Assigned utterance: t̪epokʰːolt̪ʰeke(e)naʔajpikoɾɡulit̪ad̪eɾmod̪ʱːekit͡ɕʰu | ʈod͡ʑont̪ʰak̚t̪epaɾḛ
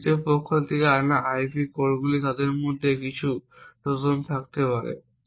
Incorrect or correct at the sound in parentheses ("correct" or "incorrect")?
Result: incorrect